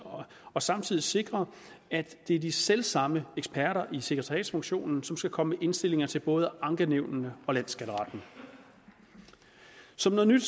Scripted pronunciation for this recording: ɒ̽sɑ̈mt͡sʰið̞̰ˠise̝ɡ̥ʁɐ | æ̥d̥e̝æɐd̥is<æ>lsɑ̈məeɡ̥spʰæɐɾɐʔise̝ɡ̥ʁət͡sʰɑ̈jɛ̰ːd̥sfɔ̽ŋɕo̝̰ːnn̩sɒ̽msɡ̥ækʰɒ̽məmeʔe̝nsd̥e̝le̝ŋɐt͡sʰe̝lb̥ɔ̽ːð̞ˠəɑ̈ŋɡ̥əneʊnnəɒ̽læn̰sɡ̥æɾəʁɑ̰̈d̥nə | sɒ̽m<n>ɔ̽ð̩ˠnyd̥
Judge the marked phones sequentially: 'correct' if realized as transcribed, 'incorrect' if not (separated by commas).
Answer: incorrect, correct